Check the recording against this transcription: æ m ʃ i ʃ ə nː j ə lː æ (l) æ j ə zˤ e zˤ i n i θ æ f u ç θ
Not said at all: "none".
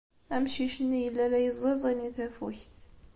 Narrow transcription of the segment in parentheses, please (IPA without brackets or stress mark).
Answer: l